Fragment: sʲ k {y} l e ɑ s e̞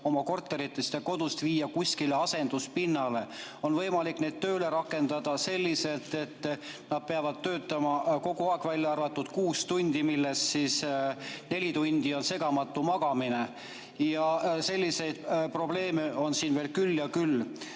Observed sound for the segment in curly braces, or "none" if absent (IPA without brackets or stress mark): i